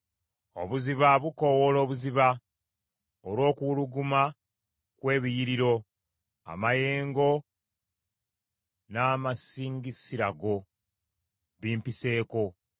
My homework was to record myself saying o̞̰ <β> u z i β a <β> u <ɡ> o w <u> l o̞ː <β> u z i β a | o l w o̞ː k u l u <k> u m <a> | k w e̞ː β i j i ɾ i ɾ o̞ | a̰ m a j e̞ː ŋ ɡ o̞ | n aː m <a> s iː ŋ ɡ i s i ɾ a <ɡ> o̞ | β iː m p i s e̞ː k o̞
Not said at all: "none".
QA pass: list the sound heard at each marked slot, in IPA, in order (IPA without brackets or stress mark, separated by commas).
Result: β, β, k, o, β, ɡ, a, a, ɡ